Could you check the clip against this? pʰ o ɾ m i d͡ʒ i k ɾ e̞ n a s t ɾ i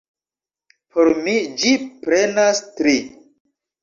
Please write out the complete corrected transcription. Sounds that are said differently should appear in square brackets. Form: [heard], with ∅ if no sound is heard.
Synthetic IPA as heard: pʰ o ɾ m i d͡ʒ i [p] ɾ e̞ n a s t ɾ i